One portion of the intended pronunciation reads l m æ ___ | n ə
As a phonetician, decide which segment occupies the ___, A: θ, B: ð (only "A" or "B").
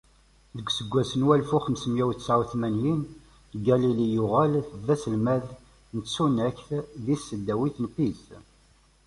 B